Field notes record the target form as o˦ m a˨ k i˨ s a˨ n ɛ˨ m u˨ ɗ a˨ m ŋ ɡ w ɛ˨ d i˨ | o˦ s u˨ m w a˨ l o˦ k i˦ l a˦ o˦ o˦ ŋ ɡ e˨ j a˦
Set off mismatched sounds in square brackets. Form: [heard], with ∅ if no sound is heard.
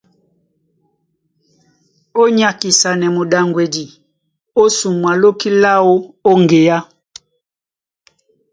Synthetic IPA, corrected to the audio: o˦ [ɲ] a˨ k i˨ s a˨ n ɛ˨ m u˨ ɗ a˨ [∅] ŋ ɡ w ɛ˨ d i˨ | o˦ s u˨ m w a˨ l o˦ k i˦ l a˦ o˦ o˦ ŋ ɡ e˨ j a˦